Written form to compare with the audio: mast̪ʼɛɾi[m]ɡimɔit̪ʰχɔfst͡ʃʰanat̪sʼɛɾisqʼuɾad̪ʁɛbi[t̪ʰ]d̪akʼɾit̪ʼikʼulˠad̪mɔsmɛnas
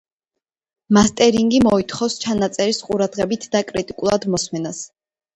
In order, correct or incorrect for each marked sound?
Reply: incorrect: ŋ, correct

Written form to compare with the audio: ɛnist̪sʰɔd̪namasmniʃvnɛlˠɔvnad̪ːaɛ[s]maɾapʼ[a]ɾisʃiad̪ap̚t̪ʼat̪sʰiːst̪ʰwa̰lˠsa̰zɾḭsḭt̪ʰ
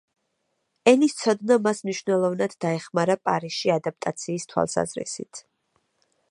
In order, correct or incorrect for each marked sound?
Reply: incorrect: χ, correct

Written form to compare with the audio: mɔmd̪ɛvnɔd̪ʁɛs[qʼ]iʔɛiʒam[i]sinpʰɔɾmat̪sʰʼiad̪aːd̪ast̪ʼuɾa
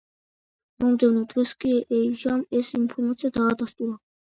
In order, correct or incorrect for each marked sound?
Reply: incorrect: kʼ, incorrect: ɛ

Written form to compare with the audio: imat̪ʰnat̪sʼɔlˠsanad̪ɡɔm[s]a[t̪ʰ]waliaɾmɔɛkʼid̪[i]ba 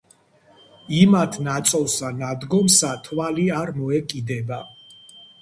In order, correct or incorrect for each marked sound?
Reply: correct, correct, incorrect: ɛ

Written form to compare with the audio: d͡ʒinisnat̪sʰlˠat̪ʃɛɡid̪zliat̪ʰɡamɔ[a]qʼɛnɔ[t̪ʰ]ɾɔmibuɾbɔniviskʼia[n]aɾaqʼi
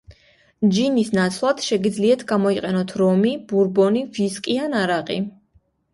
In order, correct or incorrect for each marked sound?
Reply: incorrect: i, correct, correct

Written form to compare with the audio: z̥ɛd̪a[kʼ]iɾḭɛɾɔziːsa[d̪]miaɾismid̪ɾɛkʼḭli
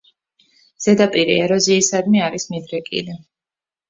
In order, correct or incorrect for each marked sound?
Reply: incorrect: pʼ, correct

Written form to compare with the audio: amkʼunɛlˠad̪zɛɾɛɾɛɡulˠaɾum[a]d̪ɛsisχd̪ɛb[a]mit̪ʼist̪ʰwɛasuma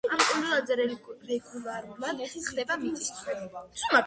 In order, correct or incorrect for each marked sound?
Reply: correct, correct

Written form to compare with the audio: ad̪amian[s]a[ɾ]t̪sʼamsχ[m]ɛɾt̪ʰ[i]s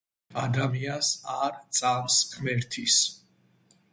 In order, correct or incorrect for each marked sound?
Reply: correct, correct, correct, correct

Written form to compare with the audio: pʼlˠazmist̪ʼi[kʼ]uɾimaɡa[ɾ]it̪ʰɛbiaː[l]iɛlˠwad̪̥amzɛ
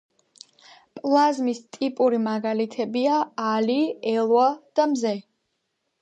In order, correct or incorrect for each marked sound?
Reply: incorrect: pʼ, incorrect: l, correct

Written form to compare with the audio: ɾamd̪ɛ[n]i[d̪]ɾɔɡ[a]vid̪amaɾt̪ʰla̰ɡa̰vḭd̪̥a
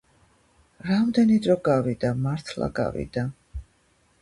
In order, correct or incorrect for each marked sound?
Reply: correct, correct, correct

